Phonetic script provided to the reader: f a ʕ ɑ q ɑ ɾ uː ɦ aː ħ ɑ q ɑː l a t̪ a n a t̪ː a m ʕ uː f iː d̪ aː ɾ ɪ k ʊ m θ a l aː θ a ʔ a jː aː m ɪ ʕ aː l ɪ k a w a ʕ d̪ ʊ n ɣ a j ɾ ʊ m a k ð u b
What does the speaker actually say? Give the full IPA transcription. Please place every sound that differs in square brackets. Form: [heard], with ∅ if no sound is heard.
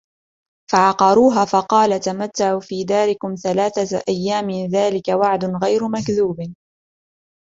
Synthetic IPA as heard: f a ʕ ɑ q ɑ ɾ uː ɦ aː [f] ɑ q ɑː l a t̪ a [m] a t̪ː a [∅] ʕ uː f iː d̪ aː ɾ ɪ k ʊ m θ a l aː θ a ʔ a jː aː m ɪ [ð] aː l ɪ k a w a ʕ d̪ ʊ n ɣ a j ɾ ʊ m a k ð [uː] b

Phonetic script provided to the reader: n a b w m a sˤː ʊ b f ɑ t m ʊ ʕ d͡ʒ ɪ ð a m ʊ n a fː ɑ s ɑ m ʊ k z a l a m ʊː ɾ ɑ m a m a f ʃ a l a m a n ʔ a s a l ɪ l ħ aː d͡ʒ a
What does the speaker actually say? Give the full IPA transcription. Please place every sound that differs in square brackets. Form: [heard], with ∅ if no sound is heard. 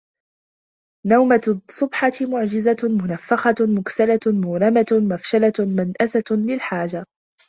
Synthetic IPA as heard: n a [∅] w m a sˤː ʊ b [ħ] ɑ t m ʊ ʕ d͡ʒ ɪ [z] a m ʊ n a fː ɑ [x] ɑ m ʊ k [s] a l a m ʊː ɾ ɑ m a m a f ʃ a l a m a n ʔ a s a l ɪ l ħ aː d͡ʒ a

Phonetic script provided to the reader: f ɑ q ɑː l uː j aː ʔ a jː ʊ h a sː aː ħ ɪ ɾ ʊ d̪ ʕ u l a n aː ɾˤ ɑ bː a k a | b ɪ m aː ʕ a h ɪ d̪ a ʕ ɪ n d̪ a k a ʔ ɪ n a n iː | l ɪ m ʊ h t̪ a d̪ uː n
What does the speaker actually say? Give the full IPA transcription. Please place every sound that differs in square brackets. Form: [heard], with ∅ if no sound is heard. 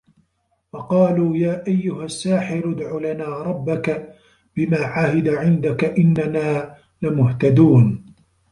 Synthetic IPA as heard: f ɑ q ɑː l uː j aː ʔ a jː ʊ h a sː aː ħ ɪ ɾ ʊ d̪ ʕ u l a n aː ɾˤ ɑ bː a k a | b ɪ m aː ʕ a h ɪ d̪ a ʕ ɪ n d̪ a k a ʔ ɪ [nː] a n [aː] | l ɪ m ʊ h t̪ a d̪ uː n

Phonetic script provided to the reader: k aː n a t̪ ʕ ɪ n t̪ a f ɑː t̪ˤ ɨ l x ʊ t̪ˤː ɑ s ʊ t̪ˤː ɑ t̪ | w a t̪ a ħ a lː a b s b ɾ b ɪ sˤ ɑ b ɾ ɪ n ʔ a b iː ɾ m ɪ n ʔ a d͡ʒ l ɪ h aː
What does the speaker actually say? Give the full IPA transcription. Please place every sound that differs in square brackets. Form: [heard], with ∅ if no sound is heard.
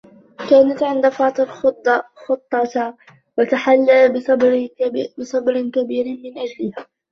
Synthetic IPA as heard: k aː n a t̪ ʕ ɪ n [d̪] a f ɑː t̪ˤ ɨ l x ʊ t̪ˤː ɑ [x] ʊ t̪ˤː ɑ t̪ | w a t̪ a ħ a lː a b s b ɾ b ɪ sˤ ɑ b ɾ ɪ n [k] a b iː ɾ m ɪ n ʔ a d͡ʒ l ɪ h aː

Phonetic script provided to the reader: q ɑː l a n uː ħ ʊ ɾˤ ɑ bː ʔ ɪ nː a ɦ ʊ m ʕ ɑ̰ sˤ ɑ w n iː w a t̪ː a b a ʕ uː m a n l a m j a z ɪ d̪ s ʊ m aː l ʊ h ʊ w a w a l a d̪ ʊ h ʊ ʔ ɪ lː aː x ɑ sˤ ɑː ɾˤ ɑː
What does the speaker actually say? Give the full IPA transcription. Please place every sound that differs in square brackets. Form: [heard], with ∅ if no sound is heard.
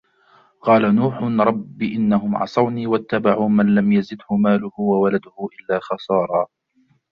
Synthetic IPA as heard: q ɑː l a n uː ħ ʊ ɾˤ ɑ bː ʔ ɪ nː a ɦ ʊ m ʕ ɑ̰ sˤ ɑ w n iː w a t̪ː a b a ʕ uː m a n l a m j a z ɪ d̪ [h] ʊ m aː l ʊ h ʊ w a w a l a d̪ ʊ h ʊ ʔ ɪ lː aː x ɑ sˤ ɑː ɾˤ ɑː

